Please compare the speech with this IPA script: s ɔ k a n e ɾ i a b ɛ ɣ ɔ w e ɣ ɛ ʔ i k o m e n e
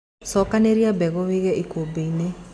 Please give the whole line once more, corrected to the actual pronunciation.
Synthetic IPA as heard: s ɔ k a n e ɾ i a b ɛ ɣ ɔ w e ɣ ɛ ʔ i k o b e n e